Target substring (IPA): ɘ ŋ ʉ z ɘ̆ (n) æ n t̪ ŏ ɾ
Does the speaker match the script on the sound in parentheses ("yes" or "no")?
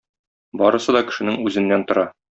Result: no